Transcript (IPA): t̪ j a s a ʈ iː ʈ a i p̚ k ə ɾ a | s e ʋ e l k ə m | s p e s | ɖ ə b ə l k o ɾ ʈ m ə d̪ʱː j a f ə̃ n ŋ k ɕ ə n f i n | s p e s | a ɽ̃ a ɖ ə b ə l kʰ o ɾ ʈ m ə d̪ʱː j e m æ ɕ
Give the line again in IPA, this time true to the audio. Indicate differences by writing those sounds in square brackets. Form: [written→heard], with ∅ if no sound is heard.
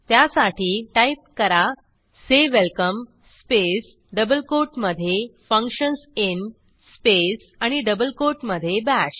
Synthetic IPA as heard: t̪ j a s a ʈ iː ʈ a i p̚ k ə ɾ a | s e ʋ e l k ə m | s p e s | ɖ ə b ə l k o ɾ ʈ m ə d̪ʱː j [a→e] f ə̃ [n→∅] ŋ k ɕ ə n [f→s] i n | s p e s | a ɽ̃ [a→i] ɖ ə b ə l [kʰ→k] o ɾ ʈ m ə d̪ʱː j e [m→b] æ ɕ